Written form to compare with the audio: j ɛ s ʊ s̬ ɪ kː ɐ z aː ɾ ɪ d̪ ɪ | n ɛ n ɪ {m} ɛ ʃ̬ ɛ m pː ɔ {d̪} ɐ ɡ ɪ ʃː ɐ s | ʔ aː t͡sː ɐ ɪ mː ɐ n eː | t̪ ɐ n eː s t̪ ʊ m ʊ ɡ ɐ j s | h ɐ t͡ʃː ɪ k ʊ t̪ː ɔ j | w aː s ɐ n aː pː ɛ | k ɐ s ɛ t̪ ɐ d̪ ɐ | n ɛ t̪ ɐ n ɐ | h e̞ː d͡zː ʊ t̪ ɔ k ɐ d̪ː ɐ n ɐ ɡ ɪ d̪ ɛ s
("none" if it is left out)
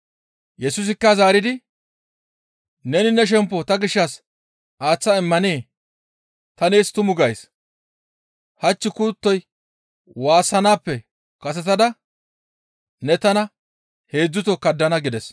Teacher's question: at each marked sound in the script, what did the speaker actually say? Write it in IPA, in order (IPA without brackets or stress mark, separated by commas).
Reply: n, t̪